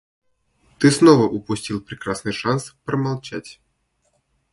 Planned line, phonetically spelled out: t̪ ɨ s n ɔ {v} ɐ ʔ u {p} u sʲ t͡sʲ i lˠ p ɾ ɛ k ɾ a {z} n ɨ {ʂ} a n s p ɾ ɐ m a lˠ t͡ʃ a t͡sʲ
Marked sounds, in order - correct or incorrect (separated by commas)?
correct, correct, incorrect, correct